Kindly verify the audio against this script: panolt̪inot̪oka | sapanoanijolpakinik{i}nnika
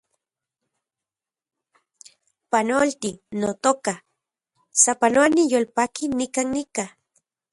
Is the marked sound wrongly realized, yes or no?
yes